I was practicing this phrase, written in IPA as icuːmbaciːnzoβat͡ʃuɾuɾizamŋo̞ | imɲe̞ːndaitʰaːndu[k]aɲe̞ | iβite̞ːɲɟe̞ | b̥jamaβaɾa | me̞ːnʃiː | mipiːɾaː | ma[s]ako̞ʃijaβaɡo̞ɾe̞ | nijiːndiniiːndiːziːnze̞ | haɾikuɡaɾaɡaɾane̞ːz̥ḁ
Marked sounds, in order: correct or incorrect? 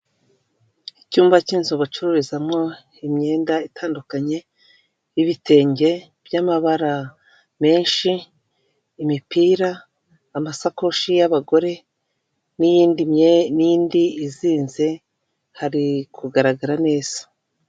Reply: correct, correct

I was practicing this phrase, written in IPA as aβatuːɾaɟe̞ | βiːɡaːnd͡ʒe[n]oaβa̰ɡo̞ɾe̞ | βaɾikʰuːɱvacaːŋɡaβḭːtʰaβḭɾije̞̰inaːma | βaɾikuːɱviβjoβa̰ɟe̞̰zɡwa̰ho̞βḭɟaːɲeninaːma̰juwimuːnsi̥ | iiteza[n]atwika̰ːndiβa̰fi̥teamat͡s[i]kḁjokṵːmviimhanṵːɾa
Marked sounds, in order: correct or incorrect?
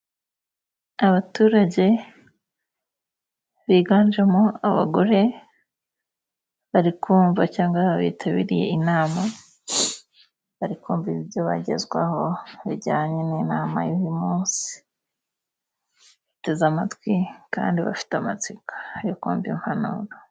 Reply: incorrect: m, incorrect: m, correct

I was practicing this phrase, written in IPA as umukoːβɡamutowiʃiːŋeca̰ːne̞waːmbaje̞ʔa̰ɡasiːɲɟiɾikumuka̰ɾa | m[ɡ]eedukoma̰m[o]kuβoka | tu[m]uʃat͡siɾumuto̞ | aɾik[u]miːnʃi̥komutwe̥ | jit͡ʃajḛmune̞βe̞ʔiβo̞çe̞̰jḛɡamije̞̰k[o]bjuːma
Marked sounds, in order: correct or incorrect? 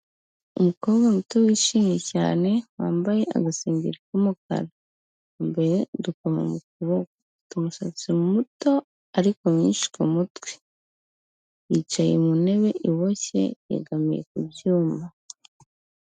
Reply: incorrect: b, incorrect: u, correct, incorrect: o, incorrect: u

